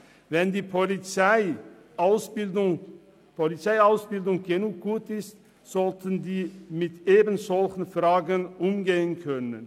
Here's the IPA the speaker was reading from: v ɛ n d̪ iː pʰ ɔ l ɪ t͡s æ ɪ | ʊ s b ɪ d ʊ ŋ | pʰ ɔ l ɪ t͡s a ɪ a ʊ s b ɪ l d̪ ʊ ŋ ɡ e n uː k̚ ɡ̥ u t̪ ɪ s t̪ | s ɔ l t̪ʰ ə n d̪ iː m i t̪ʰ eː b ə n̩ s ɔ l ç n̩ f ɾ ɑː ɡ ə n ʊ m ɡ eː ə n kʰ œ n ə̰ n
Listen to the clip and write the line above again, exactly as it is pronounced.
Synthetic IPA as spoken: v ɛ n d̪ iː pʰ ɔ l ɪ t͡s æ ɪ | ʊ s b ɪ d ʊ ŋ | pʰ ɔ l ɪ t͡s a ɪ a ʊ s b ɪ l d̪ ʊ ŋ ɡ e n uː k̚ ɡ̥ uː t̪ ɪ s t̪ | s ɔ l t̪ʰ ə n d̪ iː m ɪ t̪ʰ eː b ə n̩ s ɔ l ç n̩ f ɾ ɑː ɡ ə n ʊ m ɡ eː ə n kʰ œ n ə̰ n